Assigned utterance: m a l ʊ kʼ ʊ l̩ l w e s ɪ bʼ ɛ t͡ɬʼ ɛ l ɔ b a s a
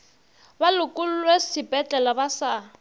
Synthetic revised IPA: b a l ʊ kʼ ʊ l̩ l w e s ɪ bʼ ɛ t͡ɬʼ ɛ l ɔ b a s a